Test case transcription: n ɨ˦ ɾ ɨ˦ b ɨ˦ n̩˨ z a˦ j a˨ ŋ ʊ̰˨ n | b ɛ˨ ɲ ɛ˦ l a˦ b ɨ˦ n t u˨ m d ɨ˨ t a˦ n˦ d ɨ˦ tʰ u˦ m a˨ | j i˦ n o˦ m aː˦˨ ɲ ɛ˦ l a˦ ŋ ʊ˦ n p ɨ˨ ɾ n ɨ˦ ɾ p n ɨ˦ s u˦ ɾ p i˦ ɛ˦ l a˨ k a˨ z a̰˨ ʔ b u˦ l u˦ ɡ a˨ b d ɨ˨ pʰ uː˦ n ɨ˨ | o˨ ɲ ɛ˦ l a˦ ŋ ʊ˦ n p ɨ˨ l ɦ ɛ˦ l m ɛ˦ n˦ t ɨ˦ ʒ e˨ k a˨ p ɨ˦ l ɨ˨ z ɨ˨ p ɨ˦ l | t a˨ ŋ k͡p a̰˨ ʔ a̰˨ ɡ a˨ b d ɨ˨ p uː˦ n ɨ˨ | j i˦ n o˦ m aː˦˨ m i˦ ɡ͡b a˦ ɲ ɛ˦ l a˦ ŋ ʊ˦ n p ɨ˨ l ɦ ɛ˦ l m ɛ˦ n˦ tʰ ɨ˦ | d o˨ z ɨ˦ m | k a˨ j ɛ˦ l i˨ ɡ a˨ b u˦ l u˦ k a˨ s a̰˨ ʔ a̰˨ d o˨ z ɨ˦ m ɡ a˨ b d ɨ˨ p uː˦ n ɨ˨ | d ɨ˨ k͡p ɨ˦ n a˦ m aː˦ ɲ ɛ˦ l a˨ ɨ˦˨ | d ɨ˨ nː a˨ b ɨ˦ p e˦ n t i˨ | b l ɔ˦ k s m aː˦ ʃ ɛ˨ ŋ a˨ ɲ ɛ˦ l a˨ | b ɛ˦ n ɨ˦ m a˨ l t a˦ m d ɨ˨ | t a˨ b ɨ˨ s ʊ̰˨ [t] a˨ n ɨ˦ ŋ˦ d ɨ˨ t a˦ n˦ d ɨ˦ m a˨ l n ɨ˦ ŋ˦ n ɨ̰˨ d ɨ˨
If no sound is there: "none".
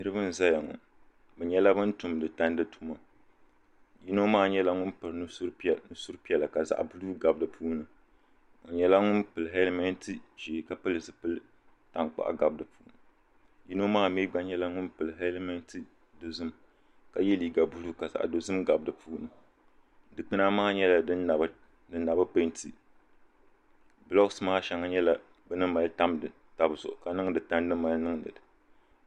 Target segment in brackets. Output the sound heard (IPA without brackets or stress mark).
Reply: k